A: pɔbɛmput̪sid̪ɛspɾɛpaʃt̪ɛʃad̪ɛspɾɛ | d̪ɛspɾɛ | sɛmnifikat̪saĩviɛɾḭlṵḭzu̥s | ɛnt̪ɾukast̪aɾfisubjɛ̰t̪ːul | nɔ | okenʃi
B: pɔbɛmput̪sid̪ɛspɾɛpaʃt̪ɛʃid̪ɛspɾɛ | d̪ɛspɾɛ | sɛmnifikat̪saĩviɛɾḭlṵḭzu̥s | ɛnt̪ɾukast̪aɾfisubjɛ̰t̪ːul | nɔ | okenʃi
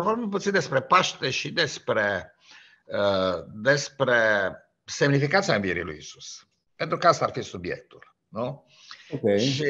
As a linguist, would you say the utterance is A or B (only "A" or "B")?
B